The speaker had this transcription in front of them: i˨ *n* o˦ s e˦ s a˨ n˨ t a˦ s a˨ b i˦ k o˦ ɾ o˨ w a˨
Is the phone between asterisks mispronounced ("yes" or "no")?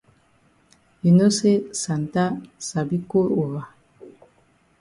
no